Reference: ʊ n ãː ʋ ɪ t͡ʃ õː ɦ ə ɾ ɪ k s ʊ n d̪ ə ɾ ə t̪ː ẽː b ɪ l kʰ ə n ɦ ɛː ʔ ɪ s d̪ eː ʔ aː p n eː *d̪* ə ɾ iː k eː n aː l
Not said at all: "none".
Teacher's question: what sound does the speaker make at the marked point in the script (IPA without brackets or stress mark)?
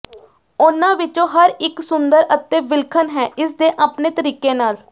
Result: t̪